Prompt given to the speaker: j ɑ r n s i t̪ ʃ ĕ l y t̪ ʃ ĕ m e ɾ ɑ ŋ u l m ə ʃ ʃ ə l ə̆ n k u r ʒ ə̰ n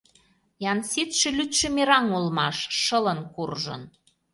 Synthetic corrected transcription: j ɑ n s i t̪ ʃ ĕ l y t̪ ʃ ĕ m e ɾ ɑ ŋ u l m ɑ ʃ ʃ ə l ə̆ n k u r ʒ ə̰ n